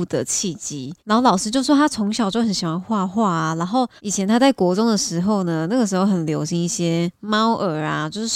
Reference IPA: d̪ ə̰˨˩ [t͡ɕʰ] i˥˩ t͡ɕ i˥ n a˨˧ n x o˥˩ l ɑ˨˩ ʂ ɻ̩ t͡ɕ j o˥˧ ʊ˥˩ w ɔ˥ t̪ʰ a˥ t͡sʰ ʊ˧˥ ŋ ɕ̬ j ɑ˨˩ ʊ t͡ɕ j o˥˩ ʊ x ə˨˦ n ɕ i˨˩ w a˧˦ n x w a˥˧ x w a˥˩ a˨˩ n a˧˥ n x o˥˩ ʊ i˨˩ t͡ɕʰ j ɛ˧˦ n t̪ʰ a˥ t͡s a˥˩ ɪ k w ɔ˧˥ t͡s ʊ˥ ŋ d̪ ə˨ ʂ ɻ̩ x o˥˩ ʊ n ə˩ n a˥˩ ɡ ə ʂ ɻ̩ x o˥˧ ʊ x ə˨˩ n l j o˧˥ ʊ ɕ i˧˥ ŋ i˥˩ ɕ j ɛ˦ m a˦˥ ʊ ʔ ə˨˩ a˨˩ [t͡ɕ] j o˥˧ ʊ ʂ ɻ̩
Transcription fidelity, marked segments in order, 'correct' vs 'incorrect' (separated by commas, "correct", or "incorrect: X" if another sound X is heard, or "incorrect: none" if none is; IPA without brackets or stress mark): correct, correct